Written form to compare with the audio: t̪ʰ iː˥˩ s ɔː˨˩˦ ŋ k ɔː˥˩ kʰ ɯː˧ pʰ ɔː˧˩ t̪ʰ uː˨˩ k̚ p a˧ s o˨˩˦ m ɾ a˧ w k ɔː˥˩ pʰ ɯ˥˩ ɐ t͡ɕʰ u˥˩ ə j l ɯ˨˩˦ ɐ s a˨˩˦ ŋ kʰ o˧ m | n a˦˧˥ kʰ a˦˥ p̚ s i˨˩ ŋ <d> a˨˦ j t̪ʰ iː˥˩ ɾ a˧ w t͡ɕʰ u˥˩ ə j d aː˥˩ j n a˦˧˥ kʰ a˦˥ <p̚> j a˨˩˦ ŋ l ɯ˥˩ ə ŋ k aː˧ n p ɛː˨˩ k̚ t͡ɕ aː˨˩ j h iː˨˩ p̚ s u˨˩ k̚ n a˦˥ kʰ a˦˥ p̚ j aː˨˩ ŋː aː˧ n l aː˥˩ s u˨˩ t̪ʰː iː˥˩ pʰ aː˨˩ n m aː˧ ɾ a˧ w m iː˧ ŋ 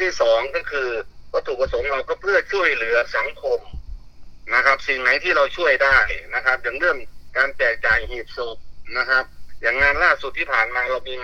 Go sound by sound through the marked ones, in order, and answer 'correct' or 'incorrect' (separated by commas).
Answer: incorrect, correct